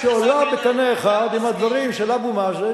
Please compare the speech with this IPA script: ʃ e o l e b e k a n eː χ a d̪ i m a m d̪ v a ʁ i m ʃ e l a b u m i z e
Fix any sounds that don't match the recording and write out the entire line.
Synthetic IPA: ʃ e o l a b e k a n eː χ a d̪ i m a d̪ v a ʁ i m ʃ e l a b u m a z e